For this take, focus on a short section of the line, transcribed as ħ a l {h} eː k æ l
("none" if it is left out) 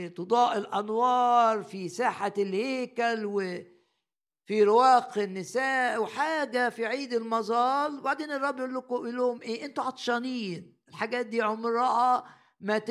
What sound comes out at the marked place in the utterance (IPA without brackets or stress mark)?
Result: h